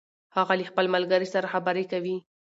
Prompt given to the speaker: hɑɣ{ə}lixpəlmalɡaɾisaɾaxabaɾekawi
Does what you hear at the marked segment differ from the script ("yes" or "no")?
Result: yes